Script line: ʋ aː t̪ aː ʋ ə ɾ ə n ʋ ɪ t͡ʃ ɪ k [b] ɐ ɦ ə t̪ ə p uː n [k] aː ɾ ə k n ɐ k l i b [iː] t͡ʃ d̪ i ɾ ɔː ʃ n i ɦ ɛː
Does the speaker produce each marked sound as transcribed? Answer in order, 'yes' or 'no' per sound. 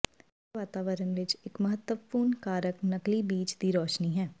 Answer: no, yes, yes

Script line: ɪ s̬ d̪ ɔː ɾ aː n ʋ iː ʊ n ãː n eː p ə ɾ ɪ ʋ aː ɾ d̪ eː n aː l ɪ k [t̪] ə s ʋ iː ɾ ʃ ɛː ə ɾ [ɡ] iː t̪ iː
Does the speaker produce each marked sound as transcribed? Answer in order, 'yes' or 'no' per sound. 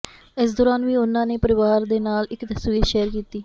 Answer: yes, no

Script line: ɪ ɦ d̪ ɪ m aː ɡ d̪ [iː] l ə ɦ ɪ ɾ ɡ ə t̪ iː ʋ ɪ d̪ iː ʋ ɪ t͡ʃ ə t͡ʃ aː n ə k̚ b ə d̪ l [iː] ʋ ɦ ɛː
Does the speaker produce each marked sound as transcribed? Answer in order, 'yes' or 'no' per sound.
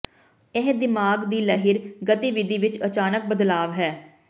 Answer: yes, no

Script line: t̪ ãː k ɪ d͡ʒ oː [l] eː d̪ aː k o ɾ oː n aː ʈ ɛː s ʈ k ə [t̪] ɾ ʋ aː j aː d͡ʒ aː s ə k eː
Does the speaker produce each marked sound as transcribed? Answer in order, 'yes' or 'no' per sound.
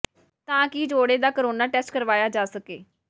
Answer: no, no

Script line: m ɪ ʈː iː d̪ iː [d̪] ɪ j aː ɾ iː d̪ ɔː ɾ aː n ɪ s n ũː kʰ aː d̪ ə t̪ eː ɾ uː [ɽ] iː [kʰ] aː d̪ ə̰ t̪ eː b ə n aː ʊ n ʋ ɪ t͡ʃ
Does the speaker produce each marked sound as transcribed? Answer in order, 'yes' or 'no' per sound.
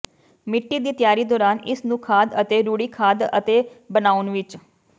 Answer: no, yes, yes

